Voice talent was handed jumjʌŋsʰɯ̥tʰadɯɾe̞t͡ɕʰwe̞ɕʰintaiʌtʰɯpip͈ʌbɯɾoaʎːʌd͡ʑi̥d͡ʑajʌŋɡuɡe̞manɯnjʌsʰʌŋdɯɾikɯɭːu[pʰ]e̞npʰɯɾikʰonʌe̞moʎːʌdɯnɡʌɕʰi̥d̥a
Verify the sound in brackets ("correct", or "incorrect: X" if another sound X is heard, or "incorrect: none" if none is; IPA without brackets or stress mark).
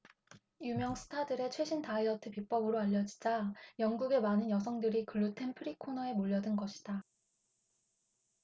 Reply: incorrect: tʰ